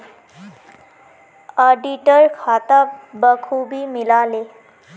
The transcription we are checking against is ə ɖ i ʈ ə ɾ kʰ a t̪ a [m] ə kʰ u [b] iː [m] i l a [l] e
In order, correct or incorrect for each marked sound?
incorrect: b, correct, correct, correct

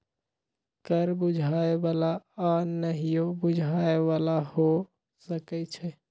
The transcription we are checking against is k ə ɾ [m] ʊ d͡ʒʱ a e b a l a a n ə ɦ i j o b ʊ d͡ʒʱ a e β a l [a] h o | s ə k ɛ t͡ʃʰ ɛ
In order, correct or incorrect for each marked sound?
incorrect: b, correct

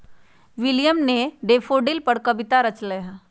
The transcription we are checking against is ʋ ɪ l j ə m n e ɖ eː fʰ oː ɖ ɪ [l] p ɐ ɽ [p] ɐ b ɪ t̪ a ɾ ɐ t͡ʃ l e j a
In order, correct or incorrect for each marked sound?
correct, incorrect: k

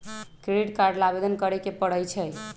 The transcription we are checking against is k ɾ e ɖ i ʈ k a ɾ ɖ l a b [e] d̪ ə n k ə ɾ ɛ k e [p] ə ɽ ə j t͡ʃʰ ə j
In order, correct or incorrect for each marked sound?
correct, correct

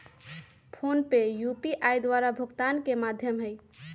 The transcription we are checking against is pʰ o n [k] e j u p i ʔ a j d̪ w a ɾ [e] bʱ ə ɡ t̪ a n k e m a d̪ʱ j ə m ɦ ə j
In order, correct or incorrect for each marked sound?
incorrect: p, incorrect: a

